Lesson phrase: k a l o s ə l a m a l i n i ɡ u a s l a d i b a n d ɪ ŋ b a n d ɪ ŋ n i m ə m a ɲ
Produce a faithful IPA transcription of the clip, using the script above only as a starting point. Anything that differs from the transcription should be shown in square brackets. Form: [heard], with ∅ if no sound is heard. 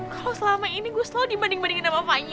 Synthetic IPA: k a l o s ə l a m a [∅] i n i ɡ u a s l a d i b a n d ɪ ŋ b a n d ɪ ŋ n [a] m [a] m a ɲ